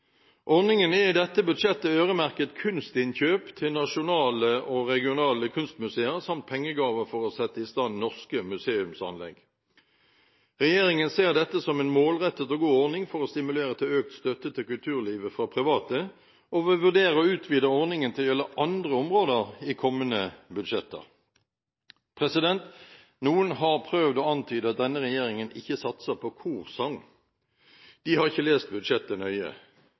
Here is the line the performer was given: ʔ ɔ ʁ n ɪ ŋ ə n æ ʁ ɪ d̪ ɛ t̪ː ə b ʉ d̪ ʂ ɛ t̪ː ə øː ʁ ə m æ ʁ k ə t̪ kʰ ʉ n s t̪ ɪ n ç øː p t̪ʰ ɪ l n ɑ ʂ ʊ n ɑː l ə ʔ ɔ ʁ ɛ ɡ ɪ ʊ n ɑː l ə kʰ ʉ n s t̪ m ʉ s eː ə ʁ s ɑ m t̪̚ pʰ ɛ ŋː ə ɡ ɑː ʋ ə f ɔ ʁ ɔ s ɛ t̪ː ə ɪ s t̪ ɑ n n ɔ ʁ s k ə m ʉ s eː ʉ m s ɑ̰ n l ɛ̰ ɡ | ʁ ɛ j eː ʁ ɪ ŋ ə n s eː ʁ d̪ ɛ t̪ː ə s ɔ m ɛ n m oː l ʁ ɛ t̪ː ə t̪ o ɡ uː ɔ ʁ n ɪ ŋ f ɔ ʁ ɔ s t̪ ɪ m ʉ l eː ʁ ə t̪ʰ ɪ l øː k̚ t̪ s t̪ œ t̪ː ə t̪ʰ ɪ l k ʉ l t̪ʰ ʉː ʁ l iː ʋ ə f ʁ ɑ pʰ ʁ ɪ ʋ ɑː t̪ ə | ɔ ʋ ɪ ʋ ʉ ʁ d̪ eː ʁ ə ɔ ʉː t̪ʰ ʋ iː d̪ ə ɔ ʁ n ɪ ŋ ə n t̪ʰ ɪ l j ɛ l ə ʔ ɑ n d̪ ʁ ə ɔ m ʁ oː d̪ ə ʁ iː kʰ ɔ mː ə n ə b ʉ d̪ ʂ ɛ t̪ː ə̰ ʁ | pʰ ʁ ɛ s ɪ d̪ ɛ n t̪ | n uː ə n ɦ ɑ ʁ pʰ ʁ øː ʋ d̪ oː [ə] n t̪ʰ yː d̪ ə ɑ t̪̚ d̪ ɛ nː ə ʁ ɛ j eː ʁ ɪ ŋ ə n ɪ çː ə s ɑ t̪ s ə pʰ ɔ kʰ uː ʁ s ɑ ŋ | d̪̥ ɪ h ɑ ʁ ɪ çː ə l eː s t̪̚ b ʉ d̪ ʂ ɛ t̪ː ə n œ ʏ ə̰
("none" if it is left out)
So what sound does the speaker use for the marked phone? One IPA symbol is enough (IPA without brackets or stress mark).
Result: ɑ